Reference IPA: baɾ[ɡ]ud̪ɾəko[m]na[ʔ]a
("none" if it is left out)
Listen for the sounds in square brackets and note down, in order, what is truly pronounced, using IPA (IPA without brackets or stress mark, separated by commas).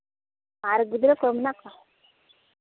ɡ, m, k